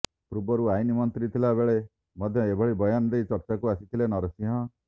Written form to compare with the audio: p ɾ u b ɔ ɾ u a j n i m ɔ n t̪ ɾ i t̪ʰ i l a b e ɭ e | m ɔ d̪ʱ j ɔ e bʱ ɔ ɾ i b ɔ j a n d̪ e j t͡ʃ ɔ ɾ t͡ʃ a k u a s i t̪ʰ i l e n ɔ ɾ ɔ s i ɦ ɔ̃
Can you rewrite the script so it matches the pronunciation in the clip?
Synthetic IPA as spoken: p ɾ u b ɔ ɾ u a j n i m ɔ n t̪ ɾ i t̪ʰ i l a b e ɭ e | m ɔ d̪ʱ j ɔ e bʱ ɔ ɭ i b ɔ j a n d̪ e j t͡ʃ ɔ ɾ t͡ʃ a k u a s i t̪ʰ i l e n ɔ ɾ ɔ s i ɦ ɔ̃